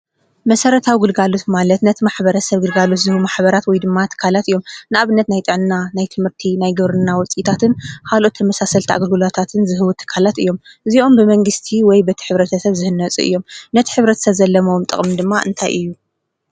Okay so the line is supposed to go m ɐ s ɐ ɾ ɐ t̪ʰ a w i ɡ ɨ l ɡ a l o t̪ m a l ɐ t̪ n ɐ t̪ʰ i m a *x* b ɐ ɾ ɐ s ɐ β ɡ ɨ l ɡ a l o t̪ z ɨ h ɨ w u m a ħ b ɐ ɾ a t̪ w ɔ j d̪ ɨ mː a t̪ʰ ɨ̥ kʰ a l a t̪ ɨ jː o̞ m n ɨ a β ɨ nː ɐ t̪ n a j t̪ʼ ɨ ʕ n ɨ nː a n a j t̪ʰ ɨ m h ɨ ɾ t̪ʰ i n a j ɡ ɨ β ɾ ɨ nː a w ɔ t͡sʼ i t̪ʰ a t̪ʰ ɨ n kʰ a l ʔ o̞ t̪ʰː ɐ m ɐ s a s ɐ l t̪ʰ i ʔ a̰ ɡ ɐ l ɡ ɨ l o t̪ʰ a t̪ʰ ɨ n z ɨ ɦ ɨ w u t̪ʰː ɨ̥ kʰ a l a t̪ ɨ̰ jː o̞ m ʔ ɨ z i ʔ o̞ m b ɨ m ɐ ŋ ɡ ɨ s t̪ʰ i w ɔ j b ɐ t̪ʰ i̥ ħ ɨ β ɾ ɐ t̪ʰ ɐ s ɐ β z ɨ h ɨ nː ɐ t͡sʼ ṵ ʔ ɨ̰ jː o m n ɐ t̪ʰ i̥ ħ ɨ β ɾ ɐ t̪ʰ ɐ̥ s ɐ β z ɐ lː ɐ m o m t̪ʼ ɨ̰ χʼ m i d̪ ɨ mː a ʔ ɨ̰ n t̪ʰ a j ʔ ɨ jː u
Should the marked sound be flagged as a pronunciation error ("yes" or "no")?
yes